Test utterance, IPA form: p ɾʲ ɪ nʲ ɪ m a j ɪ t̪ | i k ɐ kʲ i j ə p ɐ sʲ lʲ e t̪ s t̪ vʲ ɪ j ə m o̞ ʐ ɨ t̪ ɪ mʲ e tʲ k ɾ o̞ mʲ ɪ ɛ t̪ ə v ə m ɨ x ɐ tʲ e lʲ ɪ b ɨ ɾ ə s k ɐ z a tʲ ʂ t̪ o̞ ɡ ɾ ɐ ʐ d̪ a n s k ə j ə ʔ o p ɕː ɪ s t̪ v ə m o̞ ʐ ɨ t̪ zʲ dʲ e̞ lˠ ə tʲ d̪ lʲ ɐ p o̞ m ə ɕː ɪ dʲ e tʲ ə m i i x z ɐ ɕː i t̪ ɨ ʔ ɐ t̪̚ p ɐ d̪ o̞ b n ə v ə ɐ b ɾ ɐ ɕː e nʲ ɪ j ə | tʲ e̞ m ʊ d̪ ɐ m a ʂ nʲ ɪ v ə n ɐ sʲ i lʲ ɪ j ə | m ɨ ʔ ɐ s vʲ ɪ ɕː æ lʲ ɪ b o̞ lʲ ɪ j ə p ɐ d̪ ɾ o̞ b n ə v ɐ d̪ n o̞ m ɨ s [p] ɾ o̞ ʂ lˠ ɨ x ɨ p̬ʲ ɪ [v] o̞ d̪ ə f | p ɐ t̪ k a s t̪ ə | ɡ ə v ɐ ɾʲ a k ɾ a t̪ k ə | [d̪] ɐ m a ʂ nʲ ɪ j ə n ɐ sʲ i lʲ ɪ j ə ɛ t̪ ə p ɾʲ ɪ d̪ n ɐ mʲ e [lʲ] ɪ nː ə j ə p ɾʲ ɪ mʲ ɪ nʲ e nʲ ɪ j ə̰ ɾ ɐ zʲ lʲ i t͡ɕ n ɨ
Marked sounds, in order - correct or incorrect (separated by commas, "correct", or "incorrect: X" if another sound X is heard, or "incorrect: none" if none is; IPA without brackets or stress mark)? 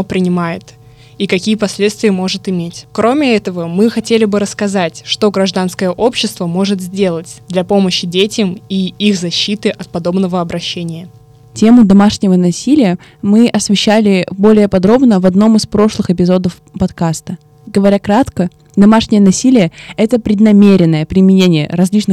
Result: correct, incorrect: z, correct, incorrect: ɾʲ